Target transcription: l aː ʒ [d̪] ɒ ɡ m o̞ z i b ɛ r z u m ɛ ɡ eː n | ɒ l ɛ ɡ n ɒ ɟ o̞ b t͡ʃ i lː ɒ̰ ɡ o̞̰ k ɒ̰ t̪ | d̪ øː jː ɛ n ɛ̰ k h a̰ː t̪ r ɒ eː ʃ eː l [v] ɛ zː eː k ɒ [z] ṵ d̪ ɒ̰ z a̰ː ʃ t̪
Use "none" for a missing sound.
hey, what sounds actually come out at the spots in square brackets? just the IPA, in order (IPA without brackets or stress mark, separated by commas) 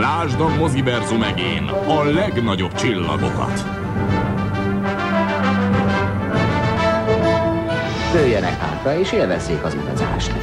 d̪, v, z